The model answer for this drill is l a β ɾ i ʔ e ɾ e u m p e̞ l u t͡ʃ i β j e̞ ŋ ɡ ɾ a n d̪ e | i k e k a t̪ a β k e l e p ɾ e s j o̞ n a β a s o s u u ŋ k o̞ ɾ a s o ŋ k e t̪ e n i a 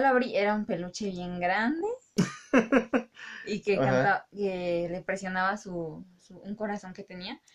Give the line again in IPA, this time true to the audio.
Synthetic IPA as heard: l a β ɾ i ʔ e ɾ a u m p e̞ l u t͡ʃ e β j e̞ ŋ ɡ ɾ a n d̪ e | i k e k a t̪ a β k e l e p ɾ e s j o̞ n a β a s u s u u ŋ k o̞ ɾ a s o ŋ k e t̪ e n i a